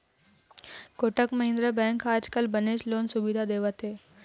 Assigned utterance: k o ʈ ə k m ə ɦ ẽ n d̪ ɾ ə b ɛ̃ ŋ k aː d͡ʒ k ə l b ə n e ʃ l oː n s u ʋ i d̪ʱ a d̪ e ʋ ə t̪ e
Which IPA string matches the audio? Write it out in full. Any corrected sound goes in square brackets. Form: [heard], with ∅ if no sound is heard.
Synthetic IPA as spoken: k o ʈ ə k m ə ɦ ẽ n d̪ ɾ ə b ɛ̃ ŋ k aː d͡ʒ k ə l b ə n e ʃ l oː n s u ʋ i d̪ʱ a d̪ e ʋ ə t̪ e

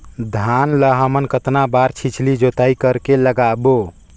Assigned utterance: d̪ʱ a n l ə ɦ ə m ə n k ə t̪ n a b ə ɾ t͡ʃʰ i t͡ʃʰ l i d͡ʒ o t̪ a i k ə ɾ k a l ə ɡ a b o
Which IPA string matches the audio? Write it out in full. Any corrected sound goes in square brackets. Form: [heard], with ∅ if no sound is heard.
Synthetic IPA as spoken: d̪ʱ a n l ə ɦ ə m ə n k ə t̪ n a b [a] ɾ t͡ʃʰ i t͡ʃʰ l i d͡ʒ o t̪ a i k ə ɾ k [e] l ə ɡ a b o

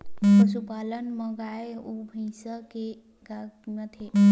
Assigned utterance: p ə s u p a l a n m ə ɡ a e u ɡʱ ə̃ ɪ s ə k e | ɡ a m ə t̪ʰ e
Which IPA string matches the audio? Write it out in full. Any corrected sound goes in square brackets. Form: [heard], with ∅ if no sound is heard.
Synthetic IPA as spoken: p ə s u p a l [ə] n m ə ɡ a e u [bʱ] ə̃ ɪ s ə k e | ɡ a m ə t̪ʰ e

